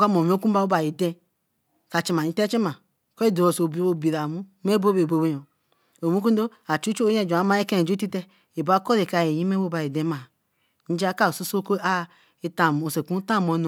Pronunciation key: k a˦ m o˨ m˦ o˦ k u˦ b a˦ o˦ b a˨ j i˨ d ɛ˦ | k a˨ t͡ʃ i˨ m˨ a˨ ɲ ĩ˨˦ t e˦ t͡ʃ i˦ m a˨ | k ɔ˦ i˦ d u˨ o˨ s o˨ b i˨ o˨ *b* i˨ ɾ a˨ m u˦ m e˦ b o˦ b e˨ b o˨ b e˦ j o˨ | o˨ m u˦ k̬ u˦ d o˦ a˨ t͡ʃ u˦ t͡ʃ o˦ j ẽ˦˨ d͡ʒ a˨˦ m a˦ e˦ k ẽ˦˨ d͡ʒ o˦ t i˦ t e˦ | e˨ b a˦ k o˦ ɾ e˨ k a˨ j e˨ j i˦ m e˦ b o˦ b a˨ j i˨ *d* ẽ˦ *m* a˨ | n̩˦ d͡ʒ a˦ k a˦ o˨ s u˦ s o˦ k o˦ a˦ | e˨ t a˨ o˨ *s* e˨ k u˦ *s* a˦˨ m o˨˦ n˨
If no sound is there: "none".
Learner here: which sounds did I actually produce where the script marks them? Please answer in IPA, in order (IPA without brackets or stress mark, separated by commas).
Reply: b, d, m, s, t